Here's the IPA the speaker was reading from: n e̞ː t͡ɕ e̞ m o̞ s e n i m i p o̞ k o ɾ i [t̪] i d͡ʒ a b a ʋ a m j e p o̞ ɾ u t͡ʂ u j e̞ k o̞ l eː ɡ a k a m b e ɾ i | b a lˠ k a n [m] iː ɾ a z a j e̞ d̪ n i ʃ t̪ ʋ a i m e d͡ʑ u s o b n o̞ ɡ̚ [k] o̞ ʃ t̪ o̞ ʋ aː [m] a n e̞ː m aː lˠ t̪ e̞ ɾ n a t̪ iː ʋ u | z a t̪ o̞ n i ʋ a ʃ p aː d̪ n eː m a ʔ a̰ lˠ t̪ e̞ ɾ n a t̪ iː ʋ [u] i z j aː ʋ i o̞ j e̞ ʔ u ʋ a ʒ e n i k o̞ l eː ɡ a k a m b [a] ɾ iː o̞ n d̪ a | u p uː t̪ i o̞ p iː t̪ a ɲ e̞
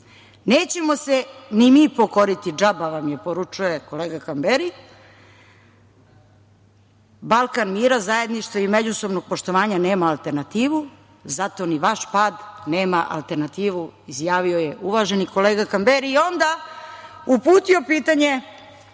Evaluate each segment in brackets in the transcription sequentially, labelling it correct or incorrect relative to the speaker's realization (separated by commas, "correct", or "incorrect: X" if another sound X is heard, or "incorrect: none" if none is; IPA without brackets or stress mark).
correct, correct, incorrect: p, incorrect: ɲ, correct, incorrect: e